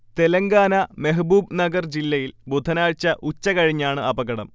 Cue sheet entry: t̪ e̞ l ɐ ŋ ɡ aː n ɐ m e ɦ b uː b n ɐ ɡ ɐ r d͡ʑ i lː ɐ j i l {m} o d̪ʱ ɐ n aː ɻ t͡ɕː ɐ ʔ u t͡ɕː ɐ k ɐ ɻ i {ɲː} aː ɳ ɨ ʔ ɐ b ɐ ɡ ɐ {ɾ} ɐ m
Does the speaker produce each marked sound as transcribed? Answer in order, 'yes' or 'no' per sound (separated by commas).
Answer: no, yes, no